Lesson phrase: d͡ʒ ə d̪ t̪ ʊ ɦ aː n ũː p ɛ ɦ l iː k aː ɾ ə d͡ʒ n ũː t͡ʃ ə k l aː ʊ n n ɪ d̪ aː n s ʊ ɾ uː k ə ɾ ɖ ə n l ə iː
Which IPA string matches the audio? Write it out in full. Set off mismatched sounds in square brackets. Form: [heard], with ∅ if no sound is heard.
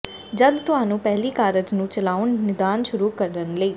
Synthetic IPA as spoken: d͡ʒ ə d̪ t̪ ʊ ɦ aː n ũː p ɛ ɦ l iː k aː ɾ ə d͡ʒ n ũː t͡ʃ ə [∅] l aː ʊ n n ɪ d̪ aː n [ʃ] ʊ ɾ uː k ə ɾ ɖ ə n l ə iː

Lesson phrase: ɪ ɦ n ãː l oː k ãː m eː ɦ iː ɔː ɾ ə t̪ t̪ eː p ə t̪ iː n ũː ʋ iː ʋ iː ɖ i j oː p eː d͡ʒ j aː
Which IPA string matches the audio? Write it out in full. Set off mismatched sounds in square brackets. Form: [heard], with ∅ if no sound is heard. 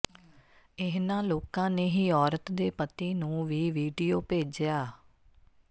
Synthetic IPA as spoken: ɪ ɦ n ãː l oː k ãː [n] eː ɦ iː ɔː ɾ ə t̪ [d̪] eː p ə t̪ iː n ũː ʋ iː ʋ iː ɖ i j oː p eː d͡ʒ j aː

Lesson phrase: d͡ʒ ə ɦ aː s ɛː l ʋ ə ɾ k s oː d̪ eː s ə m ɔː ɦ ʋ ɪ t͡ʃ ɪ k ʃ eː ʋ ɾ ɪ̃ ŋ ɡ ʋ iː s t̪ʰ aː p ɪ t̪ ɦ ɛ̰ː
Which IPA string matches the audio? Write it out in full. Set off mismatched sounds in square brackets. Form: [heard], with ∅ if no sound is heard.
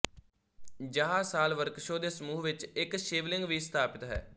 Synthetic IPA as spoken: d͡ʒ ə ɦ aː s [aː] l ʋ ə ɾ k [ʃ] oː d̪ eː s ə m [uː] ɦ ʋ ɪ t͡ʃ ɪ k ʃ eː ʋ [l] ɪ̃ ŋ ɡ ʋ iː s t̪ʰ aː p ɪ t̪ ɦ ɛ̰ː

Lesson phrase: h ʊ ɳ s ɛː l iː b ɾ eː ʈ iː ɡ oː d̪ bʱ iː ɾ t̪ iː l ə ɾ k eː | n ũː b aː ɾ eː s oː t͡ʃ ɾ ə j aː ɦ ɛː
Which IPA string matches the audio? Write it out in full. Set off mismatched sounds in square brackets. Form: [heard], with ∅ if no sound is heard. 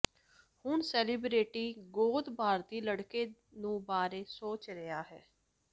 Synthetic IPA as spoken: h ʊ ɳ s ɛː l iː b ɾ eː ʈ iː ɡ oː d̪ bʱ [aː] ɾ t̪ iː l ə [ɽ] k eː | n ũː b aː ɾ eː s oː t͡ʃ ɾ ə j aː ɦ ɛː

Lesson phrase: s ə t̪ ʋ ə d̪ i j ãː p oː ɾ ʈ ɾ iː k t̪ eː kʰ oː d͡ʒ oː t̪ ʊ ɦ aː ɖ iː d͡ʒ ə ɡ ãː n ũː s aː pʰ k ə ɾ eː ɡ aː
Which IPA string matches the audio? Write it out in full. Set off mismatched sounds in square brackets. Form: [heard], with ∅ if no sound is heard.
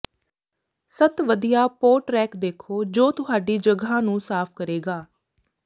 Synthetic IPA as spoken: s ə t̪ ʋ ə d̪ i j [aː] p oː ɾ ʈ ɾ [ɛː] k [d̪] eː kʰ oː d͡ʒ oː t̪ ʊ ɦ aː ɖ iː d͡ʒ ə ɡ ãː n ũː s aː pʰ k ə ɾ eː ɡ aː

